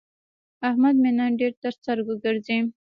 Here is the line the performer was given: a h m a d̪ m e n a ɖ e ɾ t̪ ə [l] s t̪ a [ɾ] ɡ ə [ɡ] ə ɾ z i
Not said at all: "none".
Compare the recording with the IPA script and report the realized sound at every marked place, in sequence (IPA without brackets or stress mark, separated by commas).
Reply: ɾ, ɾ, ɡ